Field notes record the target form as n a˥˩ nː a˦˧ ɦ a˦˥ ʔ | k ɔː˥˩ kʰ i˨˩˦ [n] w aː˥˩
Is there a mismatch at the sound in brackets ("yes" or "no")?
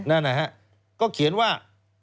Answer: no